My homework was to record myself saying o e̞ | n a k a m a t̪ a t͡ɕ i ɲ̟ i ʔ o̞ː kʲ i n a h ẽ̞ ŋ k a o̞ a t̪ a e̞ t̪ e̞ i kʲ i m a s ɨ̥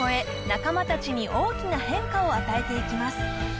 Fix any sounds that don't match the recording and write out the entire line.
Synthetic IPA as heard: o e̞ | n a k a m a t̪ a t͡ɕ i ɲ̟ i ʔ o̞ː kʲ i n a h ẽ̞ ŋ k a o̞ a t̪ a e̞ t̪ e̞ i kʲ i m a s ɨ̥